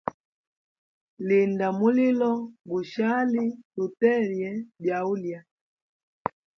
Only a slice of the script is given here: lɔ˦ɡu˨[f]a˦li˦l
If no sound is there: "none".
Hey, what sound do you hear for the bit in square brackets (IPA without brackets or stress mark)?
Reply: ʃ